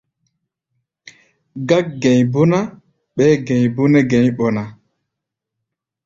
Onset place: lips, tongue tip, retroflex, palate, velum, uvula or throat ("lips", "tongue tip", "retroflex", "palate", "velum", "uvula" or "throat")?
velum